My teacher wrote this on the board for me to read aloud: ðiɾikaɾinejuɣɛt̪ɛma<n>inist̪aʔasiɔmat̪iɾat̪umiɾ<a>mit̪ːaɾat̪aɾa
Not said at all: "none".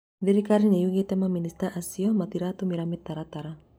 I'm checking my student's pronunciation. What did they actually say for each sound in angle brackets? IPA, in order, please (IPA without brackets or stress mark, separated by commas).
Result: m, a